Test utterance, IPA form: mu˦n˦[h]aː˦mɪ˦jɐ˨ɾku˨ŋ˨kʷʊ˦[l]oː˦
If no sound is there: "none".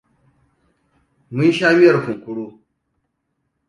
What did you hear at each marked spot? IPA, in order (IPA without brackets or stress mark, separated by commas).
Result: ʃ, ɽ